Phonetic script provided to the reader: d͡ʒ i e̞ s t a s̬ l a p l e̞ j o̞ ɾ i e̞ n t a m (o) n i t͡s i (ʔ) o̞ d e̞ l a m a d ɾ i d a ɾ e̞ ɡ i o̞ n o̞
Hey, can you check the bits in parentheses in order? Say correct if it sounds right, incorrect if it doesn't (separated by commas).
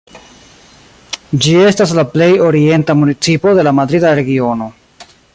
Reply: incorrect, incorrect